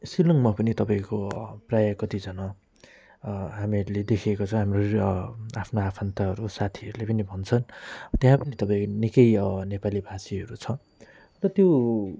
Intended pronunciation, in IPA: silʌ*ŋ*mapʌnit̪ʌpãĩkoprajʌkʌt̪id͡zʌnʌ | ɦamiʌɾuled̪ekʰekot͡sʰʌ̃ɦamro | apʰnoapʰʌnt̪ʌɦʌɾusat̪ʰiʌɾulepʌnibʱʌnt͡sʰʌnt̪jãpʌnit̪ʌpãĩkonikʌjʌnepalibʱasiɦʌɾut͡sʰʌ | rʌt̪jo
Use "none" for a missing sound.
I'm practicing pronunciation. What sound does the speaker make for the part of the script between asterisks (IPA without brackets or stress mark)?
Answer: ŋ